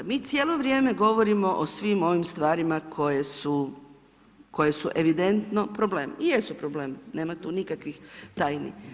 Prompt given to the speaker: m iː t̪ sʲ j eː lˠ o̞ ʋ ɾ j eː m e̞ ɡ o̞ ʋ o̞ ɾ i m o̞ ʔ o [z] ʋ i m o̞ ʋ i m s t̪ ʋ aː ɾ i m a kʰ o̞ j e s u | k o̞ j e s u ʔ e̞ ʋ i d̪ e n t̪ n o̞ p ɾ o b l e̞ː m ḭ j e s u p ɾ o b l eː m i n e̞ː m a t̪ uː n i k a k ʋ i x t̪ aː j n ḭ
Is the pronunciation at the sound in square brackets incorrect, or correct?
incorrect